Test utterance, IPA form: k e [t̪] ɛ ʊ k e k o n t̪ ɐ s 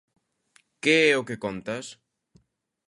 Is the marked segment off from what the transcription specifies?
yes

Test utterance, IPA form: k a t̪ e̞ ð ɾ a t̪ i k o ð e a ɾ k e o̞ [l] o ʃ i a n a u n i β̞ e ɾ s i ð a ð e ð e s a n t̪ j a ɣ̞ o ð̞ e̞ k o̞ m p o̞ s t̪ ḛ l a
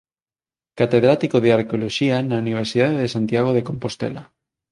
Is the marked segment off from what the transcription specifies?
no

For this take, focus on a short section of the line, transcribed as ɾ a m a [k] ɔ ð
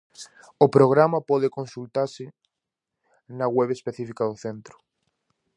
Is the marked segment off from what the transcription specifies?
yes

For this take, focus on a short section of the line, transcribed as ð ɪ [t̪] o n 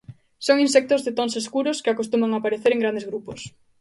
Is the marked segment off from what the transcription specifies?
no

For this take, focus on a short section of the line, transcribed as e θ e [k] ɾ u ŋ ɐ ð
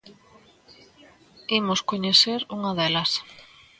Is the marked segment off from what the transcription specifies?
yes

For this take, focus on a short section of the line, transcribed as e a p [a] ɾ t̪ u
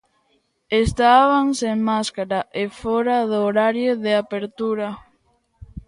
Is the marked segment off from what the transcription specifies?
yes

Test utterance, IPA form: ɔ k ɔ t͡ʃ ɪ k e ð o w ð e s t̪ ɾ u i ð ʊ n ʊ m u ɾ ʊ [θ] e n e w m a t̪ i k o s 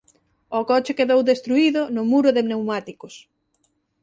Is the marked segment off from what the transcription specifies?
yes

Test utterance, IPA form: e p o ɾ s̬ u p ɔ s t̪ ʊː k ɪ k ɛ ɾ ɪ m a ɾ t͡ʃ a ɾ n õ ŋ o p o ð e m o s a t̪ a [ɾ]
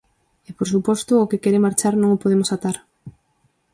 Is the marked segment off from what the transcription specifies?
no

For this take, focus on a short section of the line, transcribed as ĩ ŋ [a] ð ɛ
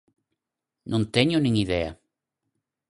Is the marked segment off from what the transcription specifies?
yes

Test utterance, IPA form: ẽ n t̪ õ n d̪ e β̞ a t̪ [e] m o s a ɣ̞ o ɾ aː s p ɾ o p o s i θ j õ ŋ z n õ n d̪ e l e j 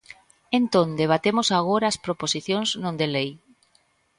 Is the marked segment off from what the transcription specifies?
no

